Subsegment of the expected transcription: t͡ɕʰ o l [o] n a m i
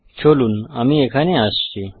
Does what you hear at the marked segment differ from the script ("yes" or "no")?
yes